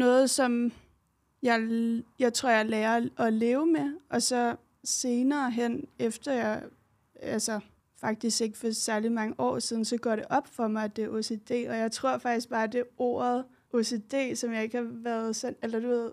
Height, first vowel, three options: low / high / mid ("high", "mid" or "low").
mid